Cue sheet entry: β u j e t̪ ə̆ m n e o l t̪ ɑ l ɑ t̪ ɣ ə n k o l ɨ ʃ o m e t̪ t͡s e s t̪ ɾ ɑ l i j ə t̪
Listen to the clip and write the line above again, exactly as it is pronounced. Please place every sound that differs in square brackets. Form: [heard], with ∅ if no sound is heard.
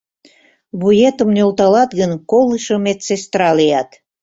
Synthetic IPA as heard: β u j e t̪ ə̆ m n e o l t̪ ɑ l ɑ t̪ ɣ ə n k o l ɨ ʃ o m e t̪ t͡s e s t̪ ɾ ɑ l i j [ɑ] t̪